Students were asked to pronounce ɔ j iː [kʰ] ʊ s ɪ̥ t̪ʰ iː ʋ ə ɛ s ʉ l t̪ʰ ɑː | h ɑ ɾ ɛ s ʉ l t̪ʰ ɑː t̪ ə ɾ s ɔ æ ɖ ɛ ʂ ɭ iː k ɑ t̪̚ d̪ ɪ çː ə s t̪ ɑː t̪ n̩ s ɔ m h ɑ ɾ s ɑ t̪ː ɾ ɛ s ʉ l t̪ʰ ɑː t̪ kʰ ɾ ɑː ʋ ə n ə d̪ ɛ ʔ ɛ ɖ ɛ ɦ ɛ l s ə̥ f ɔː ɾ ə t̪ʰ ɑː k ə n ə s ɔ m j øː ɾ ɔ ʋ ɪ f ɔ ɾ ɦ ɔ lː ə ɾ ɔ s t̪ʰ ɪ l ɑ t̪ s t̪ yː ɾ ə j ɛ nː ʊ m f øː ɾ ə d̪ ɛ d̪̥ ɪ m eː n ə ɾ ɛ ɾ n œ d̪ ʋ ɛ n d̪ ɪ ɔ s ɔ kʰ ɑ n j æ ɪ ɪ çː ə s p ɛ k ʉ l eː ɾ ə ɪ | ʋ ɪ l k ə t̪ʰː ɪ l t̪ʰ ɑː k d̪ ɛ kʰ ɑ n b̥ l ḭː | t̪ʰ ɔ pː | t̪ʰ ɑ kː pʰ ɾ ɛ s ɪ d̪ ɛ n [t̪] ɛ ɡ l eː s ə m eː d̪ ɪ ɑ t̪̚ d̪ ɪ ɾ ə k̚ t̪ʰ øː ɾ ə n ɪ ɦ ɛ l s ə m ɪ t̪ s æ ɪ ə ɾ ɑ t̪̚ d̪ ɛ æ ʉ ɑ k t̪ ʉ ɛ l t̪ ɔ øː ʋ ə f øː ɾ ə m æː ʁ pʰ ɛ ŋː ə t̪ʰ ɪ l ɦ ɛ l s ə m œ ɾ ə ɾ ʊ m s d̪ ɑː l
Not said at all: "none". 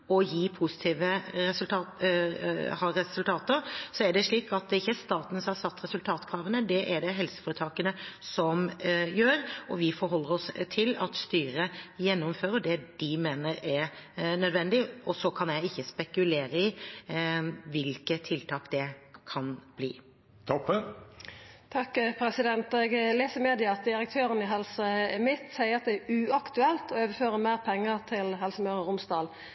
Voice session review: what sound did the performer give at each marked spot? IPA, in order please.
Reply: pʰ, t̪

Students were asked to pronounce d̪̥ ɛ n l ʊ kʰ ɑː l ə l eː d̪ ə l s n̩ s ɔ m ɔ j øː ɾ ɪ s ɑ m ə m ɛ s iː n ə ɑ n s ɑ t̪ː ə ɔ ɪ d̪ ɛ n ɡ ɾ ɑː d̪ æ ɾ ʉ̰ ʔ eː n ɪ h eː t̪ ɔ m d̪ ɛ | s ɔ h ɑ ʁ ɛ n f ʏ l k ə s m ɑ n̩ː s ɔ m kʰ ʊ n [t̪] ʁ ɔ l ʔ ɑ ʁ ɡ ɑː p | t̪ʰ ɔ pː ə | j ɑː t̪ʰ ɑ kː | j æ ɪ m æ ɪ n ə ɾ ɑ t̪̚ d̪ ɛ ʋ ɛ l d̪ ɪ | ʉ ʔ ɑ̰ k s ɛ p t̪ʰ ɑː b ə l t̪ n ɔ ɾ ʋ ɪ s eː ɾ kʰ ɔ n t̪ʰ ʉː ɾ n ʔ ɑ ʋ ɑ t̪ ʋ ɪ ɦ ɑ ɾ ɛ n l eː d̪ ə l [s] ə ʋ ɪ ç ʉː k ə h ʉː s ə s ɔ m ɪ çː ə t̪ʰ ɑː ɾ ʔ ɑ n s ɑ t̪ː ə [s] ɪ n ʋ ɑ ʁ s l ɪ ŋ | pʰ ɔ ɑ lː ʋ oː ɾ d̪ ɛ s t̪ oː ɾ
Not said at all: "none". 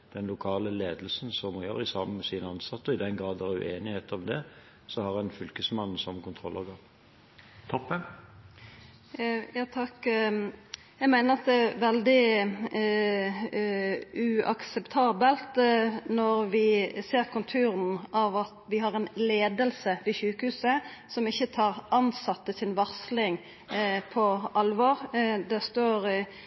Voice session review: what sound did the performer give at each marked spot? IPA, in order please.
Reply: t̪ʰ, s, s

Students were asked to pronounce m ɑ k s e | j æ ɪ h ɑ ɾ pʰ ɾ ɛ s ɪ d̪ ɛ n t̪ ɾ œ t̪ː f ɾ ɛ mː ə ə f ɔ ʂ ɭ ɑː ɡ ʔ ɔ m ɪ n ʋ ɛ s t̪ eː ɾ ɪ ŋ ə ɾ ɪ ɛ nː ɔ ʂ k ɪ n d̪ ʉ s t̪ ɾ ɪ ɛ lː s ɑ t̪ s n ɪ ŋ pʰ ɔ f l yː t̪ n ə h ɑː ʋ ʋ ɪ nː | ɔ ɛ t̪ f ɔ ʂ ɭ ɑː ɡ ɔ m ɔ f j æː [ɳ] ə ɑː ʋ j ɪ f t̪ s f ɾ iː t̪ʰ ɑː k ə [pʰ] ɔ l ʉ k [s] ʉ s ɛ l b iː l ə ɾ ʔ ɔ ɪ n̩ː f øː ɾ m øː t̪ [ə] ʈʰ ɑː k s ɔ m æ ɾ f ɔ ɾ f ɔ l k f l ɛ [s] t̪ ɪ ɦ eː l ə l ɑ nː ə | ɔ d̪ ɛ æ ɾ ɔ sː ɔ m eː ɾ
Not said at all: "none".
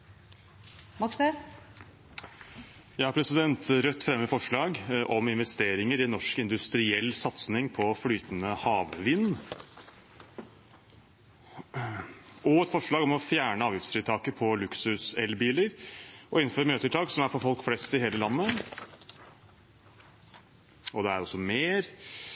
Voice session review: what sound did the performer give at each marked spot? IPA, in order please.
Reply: ɳ, pʰ, s, ə, s

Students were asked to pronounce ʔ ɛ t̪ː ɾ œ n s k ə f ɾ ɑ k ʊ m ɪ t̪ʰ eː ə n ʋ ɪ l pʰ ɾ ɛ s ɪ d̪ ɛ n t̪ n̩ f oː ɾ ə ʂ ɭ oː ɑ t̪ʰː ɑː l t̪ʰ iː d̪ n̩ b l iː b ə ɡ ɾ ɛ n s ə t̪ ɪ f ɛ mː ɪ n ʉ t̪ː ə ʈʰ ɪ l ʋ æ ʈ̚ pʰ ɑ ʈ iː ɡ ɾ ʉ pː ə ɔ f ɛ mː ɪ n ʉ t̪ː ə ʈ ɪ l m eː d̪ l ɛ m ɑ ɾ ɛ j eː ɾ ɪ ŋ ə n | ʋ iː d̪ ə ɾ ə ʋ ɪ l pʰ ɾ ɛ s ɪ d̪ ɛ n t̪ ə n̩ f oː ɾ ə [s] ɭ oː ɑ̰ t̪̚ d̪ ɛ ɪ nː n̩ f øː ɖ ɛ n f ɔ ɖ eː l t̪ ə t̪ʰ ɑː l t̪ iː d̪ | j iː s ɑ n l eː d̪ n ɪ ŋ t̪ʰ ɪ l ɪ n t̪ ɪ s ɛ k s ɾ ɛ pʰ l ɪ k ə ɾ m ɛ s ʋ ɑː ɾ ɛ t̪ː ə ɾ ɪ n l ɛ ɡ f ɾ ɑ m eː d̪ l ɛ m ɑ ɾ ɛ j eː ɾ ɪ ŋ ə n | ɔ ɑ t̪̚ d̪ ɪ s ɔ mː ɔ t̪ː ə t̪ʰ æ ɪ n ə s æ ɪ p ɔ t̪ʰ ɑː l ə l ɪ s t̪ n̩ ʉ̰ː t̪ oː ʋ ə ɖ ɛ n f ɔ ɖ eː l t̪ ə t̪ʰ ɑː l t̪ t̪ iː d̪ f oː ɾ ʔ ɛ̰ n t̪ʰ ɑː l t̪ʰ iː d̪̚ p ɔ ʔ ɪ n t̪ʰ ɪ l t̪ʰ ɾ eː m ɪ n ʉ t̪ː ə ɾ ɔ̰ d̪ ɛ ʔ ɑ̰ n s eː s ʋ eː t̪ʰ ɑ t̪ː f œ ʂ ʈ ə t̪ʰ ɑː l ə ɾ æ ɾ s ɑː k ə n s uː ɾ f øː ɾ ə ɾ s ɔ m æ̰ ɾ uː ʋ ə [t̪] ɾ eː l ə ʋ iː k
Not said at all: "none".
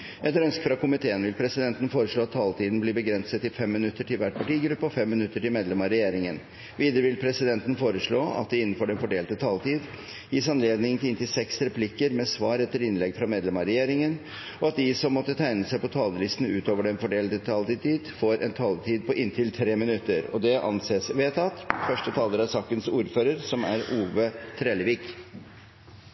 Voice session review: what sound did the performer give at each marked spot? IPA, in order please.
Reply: ʂ, t̪ʰ

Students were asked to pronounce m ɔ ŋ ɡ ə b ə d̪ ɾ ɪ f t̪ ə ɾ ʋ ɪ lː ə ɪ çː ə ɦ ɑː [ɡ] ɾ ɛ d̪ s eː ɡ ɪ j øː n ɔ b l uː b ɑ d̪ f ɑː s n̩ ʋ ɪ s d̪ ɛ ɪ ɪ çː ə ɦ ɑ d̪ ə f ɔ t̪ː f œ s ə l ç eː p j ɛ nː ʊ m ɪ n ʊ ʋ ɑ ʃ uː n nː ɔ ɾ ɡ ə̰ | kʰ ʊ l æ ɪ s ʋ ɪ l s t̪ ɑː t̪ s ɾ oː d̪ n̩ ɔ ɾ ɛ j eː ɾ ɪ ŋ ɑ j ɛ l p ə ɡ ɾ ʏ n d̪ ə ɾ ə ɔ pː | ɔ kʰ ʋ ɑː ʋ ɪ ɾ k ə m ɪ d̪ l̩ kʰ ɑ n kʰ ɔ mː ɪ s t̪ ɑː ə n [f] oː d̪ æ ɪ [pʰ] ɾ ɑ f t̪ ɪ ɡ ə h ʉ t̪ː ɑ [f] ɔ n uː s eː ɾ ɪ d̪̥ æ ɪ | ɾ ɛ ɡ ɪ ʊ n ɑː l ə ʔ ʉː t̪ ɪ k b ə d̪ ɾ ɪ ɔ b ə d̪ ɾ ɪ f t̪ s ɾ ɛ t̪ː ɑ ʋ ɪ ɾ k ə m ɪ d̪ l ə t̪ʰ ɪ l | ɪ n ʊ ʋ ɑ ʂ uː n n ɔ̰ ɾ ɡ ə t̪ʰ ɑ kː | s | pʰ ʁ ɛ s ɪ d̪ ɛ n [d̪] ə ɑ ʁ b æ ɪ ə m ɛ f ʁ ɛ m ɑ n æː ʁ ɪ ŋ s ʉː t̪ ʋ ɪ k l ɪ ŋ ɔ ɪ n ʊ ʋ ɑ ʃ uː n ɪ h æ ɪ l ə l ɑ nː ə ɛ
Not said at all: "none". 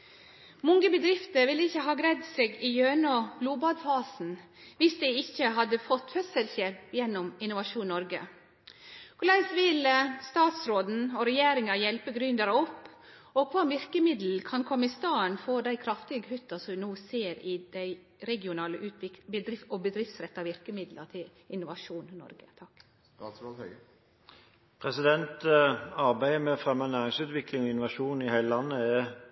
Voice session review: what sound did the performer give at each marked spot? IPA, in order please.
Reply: ɡ, f, kʰ, s, t̪

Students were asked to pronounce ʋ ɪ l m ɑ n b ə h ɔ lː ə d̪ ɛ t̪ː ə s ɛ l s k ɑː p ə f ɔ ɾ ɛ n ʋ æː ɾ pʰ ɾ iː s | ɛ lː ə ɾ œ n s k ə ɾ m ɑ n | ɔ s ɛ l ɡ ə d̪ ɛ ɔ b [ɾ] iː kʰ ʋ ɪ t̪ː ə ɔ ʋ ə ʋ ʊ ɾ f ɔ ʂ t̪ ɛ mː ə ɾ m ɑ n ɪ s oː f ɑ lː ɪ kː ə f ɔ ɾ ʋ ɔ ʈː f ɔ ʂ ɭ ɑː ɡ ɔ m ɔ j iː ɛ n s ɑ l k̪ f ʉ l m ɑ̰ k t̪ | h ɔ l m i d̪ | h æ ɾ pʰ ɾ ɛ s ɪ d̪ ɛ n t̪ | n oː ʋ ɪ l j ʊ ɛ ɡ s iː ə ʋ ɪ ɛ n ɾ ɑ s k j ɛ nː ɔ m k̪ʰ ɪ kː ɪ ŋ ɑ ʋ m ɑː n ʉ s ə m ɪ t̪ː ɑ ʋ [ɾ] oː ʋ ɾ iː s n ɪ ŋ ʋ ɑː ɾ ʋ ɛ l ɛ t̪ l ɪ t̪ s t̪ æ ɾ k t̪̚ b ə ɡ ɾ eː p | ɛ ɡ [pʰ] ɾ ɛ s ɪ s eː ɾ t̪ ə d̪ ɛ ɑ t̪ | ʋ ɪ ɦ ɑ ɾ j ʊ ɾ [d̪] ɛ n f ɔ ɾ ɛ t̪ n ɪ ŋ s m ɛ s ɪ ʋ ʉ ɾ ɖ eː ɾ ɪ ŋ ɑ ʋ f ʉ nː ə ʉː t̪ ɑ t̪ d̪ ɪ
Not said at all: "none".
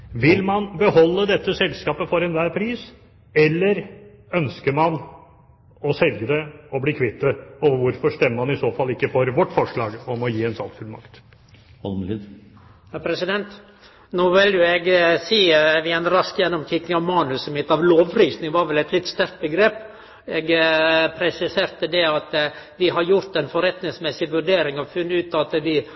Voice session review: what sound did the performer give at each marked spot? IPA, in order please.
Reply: l, l, pʰ, t̪

